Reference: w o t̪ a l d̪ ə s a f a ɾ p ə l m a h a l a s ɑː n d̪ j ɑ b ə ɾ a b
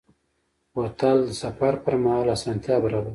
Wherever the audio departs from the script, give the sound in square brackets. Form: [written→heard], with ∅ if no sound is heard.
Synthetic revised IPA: w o t̪ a l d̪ ə s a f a ɾ p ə [l→ɾ] m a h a l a s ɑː n [d̪→t̪] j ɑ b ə ɾ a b